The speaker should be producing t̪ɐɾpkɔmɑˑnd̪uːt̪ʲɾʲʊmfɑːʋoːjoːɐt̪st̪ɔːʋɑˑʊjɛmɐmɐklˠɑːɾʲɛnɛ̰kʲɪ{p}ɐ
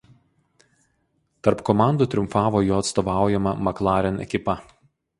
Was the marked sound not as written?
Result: no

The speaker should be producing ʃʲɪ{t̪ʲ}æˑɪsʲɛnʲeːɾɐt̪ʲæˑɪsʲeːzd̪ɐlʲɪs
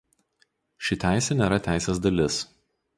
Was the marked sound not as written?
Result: no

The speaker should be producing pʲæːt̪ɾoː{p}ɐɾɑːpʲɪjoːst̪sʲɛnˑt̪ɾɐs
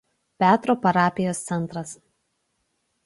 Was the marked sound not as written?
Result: no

